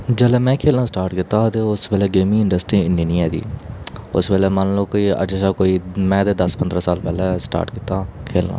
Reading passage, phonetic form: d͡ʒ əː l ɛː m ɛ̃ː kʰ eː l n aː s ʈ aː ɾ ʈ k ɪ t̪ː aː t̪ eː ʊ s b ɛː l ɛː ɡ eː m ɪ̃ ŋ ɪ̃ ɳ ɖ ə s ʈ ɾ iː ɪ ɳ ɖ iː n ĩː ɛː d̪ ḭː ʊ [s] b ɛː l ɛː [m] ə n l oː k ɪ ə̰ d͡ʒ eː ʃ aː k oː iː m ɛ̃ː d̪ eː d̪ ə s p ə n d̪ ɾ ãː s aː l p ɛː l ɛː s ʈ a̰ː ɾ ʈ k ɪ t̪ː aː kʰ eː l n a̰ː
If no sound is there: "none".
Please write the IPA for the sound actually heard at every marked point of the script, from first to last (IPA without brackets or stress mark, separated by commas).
s, m